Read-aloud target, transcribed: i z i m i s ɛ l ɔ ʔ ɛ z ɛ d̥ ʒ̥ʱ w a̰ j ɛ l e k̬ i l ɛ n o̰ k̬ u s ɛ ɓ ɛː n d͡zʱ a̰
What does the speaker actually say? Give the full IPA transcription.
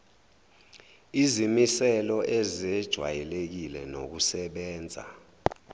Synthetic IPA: i z i m i s ɛ l ɔ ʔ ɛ z ɛ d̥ ʒ̥ʱ w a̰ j ɛ l e k̬ i l ɛ n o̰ k̬ u s ɛ ɓ ɛː n d͡zʱ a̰